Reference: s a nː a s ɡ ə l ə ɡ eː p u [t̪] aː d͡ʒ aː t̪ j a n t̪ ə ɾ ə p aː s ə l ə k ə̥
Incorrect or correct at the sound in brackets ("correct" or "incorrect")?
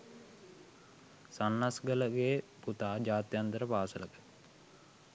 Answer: correct